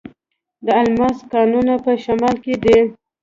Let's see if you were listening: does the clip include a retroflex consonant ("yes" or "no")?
no